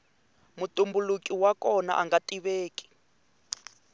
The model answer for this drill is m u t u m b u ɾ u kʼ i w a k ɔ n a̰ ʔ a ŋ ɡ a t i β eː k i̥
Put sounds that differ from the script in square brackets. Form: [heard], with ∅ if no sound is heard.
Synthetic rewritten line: m u t u m b u [l] u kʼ i w a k ɔ n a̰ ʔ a ŋ ɡ a t i β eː k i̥